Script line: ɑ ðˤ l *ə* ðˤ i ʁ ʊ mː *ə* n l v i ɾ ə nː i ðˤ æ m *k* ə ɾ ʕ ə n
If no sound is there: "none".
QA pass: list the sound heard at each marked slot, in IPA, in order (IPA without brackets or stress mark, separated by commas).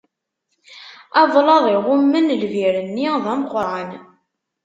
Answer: ɑ, ə, q